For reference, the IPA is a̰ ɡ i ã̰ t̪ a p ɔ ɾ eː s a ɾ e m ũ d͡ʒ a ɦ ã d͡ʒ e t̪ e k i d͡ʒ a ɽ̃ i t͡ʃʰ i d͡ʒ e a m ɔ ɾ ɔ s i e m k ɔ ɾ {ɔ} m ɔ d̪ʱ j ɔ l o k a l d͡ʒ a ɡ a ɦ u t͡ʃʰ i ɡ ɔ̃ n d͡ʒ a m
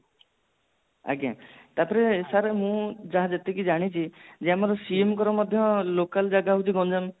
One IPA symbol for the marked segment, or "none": ɔ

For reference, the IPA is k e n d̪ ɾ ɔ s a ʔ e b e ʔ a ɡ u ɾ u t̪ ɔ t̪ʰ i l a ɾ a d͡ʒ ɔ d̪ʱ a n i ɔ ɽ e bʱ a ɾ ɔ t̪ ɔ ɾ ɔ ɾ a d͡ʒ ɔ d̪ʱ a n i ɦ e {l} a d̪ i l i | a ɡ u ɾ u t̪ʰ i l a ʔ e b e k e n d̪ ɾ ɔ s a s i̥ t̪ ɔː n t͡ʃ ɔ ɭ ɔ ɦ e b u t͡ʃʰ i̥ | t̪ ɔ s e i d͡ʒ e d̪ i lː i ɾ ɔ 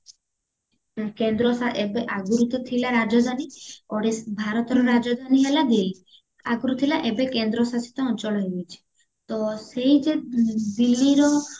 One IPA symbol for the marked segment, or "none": l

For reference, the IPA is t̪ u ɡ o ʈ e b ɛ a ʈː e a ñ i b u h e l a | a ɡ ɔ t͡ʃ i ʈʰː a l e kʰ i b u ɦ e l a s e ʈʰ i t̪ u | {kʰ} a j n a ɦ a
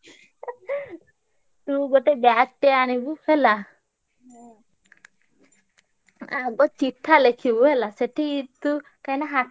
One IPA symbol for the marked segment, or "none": k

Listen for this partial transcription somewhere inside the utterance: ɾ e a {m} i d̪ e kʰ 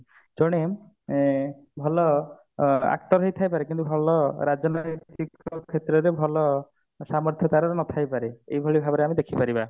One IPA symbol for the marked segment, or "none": m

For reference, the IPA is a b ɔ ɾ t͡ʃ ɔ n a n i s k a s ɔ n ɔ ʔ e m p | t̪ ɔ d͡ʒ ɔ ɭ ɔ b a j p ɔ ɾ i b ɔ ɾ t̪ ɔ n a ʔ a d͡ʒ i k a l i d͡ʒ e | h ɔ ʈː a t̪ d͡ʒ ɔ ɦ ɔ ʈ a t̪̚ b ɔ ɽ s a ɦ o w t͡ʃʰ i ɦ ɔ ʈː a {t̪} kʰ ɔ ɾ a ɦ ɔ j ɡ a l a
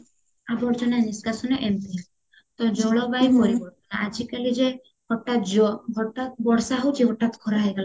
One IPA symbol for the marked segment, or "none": t̪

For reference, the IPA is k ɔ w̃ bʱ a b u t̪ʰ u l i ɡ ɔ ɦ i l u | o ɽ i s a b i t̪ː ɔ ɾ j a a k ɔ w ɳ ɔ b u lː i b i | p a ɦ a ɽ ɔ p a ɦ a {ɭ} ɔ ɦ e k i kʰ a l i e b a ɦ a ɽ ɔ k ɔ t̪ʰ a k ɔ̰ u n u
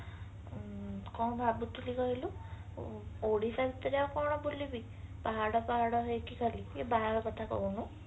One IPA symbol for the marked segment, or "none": ɽ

